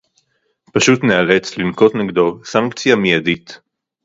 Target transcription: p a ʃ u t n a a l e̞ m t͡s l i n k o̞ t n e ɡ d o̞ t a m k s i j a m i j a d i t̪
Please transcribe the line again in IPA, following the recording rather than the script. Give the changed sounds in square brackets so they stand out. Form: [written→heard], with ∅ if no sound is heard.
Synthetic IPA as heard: p a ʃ u t n [a→e] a l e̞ [m→∅] t͡s l i n k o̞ t n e ɡ d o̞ [t→s] a [m→ŋ] k [s→t͡s] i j a m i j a d i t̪